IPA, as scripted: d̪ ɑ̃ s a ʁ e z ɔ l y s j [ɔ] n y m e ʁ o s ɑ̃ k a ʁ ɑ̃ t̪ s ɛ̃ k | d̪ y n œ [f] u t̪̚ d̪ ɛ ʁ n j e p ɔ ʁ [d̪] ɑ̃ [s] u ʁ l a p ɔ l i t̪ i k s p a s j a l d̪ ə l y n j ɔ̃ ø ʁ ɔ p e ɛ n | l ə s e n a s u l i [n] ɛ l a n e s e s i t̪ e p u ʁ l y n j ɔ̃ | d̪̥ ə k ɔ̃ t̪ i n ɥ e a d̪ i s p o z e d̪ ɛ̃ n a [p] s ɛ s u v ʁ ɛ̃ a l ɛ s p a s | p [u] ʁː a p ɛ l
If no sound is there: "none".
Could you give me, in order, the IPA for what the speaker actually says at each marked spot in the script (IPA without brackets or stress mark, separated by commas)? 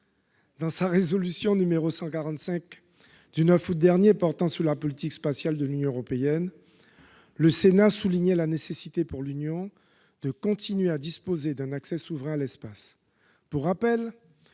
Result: ɔ̃, f, t̪, s, ɲ, k, u